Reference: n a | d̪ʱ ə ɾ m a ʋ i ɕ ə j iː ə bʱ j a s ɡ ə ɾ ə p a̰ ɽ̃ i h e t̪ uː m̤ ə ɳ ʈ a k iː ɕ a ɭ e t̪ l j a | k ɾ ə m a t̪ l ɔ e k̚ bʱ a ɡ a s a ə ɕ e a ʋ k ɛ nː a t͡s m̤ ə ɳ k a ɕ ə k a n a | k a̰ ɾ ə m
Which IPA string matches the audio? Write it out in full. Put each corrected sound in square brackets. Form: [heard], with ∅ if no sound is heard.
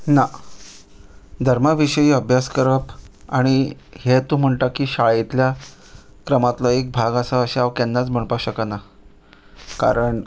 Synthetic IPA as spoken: n a | d̪ʱ ə ɾ m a ʋ i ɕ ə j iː ə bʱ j a s [k] ə ɾ ə p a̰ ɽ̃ i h e t̪ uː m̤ ə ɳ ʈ a k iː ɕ a ɭ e t̪ l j a | k ɾ ə m a t̪ l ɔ e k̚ bʱ a ɡ a s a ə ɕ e a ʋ k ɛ nː a t͡s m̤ ə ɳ [p] a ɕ ə k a n a | k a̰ ɾ ə [ɳ]